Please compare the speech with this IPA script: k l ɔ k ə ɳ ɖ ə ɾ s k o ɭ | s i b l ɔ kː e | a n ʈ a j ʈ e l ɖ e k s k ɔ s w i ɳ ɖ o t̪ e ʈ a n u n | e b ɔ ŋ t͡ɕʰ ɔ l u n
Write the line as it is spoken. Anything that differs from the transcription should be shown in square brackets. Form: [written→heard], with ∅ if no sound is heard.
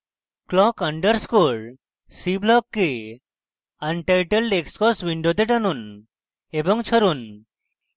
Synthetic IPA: k l ɔ k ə ɳ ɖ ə ɾ s k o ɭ | s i b l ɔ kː e | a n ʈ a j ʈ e l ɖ e k s k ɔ s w i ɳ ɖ o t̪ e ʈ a n u n | e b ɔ ŋ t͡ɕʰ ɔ [l→ɾ] u n